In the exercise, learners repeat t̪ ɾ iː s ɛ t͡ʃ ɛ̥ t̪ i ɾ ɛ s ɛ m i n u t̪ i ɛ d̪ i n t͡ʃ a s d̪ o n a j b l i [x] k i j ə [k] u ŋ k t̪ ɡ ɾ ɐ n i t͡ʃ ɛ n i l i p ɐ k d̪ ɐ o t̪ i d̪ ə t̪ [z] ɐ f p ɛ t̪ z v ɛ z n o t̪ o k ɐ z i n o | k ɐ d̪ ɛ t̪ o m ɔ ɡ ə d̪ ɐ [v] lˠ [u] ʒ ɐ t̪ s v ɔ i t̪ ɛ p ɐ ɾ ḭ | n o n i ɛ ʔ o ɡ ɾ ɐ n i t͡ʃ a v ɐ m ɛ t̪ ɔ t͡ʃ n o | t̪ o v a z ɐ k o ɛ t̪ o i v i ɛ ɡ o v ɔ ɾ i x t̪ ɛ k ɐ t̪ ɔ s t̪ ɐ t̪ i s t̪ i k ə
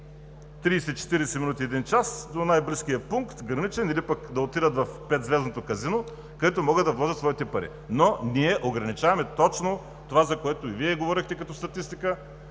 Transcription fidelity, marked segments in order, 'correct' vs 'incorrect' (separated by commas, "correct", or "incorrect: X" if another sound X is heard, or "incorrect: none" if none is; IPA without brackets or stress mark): incorrect: s, incorrect: p, incorrect: v, correct, incorrect: ɔ